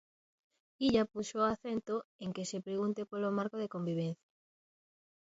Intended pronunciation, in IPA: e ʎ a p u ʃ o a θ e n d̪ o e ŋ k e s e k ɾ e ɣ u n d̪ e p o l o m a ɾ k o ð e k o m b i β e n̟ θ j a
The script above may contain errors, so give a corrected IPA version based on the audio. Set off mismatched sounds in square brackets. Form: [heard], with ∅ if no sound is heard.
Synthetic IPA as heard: [i] ʎ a p u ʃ o a θ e n [t̪] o e ŋ k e s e [p] ɾ e ɣ u n [t̪] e p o l o m a ɾ k o ð e k o m b i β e n̟ θ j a